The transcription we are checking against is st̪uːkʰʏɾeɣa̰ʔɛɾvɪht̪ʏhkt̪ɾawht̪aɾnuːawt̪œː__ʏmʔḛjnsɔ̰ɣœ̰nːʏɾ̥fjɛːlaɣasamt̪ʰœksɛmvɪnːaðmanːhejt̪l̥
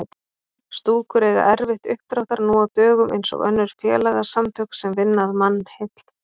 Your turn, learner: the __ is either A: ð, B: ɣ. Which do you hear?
B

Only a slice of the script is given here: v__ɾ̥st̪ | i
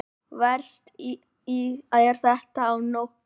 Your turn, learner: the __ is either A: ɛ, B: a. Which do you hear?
A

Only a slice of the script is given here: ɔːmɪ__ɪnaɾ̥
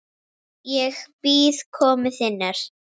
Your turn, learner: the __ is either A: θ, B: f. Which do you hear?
A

